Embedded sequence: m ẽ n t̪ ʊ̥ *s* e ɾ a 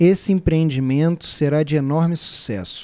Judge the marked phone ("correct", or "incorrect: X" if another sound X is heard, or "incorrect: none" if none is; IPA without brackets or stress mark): correct